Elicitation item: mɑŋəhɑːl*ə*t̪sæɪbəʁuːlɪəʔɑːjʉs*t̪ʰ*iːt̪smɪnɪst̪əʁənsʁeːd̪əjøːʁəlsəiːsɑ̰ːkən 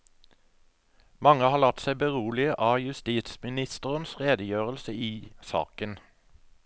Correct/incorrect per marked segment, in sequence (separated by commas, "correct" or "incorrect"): incorrect, incorrect